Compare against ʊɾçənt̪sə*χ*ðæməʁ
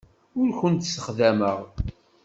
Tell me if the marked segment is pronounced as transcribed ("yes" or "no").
yes